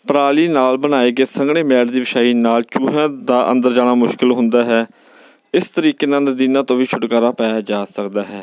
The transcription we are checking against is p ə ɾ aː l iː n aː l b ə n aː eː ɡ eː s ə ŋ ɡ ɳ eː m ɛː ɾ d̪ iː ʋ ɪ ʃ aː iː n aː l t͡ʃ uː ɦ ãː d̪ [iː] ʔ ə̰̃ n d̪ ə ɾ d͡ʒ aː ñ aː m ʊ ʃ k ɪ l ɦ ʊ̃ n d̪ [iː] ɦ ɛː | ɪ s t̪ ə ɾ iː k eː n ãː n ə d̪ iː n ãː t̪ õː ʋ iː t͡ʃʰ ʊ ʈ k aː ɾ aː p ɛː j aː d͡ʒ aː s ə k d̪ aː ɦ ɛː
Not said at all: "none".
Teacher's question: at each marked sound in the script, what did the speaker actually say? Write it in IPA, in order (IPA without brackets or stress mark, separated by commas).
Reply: aː, aː